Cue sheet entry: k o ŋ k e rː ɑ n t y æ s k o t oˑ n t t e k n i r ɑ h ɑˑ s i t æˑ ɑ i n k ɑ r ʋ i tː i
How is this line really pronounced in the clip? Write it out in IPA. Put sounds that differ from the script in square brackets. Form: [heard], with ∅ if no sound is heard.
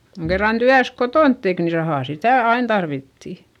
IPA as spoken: k o ŋ k e rː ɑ n t y æ s k o t oˑ n t t e k n i r ɑ h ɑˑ s i t æˑ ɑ i n [t] ɑ r ʋ i tː i